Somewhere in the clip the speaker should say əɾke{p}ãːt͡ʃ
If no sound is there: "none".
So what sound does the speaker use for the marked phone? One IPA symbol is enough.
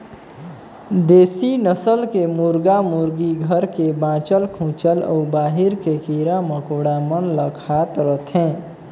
b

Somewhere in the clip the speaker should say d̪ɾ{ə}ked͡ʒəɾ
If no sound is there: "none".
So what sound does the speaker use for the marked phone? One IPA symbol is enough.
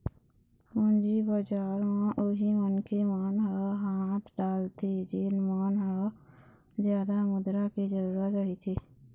a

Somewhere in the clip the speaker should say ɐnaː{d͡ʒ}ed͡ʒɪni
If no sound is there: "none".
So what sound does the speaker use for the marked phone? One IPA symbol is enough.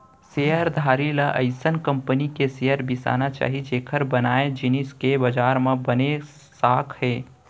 none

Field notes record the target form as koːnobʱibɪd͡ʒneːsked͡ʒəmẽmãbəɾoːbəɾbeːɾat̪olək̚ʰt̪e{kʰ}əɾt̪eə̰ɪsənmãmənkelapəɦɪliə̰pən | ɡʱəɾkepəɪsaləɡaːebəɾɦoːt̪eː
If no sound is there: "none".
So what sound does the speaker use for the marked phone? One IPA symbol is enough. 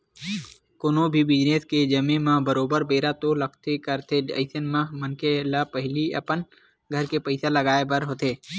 k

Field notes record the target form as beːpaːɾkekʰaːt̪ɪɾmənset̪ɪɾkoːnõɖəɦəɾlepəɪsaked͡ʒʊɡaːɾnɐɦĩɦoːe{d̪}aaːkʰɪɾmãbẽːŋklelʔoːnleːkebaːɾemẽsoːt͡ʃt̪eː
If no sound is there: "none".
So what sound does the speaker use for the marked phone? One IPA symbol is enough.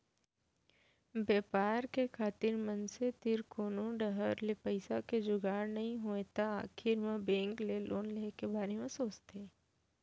t̪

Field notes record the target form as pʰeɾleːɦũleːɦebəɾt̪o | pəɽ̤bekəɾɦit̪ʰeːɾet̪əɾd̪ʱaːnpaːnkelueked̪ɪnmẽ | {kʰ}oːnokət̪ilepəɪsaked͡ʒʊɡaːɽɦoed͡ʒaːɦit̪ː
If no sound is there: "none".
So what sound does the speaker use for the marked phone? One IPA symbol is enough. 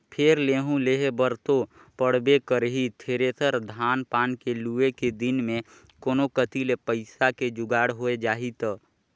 k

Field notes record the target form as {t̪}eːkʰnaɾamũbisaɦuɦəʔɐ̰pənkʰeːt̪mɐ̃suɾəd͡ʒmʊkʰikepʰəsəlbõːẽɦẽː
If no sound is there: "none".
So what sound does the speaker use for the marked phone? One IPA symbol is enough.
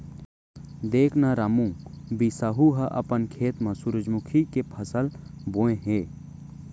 d̪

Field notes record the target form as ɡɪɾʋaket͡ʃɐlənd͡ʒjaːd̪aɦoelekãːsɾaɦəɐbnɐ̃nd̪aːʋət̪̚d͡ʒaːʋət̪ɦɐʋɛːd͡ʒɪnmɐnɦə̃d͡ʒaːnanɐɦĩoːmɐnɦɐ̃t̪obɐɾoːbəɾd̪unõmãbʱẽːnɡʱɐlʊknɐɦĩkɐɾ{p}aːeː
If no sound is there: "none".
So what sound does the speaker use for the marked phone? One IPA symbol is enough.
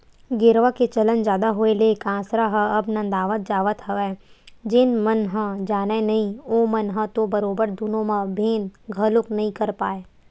p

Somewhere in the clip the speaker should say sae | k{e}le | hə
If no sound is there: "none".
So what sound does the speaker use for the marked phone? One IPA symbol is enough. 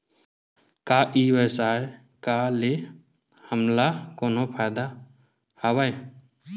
a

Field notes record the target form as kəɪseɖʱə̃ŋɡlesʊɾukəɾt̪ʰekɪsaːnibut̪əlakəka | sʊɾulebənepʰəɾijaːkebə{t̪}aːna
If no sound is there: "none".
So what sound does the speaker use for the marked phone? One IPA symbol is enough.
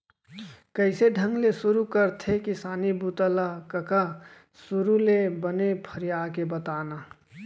t̪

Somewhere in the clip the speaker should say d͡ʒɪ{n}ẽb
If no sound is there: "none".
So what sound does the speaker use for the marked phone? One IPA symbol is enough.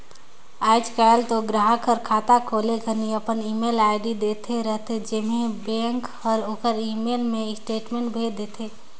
m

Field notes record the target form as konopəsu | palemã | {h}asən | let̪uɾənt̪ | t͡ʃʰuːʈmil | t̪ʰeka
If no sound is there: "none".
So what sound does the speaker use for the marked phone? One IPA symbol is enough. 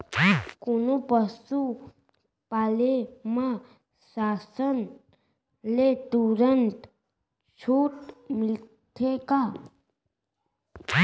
s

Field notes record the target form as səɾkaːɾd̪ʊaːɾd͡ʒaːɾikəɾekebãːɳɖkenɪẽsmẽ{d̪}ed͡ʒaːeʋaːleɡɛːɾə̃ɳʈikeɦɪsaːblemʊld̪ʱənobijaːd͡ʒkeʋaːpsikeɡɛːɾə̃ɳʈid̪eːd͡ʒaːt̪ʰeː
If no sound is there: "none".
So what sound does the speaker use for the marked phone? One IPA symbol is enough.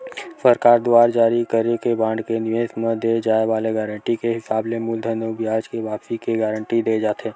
d̪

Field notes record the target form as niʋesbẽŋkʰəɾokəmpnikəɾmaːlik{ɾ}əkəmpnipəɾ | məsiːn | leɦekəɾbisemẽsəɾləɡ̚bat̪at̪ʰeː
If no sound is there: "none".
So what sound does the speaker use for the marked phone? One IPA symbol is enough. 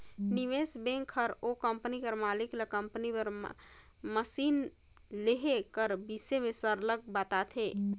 l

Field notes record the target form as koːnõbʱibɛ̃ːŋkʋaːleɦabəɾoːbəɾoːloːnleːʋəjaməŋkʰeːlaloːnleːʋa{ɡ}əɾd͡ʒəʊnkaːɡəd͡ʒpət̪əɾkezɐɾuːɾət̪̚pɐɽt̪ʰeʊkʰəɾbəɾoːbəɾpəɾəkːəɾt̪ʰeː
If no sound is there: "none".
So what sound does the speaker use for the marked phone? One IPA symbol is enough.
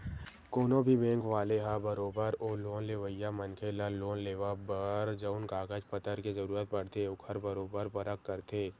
b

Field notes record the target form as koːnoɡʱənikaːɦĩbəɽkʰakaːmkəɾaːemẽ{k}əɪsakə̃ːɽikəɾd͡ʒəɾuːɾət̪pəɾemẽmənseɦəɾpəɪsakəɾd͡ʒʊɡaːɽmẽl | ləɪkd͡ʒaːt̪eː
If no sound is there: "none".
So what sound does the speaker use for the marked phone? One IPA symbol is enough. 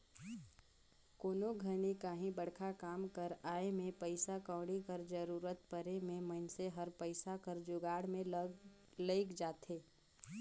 p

